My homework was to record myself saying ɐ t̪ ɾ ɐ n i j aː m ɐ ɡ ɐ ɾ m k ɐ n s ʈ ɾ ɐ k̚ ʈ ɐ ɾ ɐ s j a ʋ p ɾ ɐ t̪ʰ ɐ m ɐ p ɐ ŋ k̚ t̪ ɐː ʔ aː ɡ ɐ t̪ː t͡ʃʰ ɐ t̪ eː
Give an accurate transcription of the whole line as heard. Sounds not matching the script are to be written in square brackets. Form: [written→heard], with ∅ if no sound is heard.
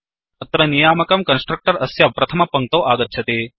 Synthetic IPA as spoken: ɐ t̪ ɾ ɐ n i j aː m ɐ [ɡ→k] ɐ [ɾ→∅] m k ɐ n s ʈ ɾ ɐ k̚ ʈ ɐ ɾ ɐ s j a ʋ p ɾ ɐ t̪ʰ ɐ m ɐ p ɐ ŋ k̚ t̪ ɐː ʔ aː ɡ ɐ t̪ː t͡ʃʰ ɐ t̪ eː